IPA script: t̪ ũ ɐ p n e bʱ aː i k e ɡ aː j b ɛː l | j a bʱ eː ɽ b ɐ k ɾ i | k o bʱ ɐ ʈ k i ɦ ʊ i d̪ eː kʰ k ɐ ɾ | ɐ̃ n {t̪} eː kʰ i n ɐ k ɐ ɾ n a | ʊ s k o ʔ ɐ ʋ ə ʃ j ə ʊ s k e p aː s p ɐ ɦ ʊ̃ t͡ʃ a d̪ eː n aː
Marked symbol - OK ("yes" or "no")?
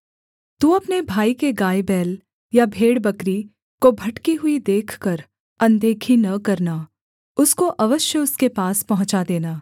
no